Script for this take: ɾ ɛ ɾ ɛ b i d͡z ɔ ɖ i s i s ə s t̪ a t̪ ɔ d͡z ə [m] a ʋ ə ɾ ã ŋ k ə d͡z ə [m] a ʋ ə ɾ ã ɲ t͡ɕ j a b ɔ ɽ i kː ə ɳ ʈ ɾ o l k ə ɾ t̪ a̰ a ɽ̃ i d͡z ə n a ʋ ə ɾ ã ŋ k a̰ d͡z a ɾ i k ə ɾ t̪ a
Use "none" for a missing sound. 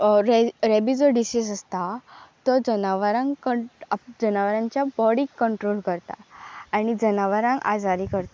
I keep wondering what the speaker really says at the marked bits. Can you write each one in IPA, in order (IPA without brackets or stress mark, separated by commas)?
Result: n, n